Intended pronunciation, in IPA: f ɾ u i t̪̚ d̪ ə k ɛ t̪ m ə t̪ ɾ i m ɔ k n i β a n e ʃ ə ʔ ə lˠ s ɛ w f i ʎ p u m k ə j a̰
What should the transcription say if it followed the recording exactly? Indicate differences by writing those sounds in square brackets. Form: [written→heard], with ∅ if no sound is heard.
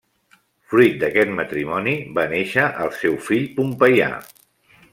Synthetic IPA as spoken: f ɾ u [i→j] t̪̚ d̪ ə k ɛ t̪ m ə t̪ ɾ i m ɔ [k→∅] n i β a n e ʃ ə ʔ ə lˠ s ɛ w f i ʎ p u m [k→p] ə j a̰